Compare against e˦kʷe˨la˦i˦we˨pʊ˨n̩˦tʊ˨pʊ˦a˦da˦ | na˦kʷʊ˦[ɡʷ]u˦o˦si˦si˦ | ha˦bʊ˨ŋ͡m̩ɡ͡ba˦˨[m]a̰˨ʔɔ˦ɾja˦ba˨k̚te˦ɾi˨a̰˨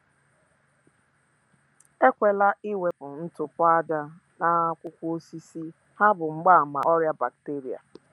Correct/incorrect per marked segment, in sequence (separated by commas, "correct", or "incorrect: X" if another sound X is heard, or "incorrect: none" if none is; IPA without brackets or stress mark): incorrect: kʷ, correct